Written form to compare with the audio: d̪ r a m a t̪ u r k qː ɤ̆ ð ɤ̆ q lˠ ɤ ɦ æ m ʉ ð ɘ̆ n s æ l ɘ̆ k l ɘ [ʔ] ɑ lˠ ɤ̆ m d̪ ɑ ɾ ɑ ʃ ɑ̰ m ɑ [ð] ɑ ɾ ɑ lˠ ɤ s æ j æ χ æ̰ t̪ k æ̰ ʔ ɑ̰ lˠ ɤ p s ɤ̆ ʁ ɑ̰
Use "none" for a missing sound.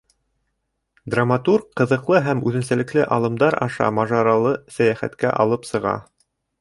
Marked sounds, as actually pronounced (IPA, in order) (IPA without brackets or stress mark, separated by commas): ʔ, ʒ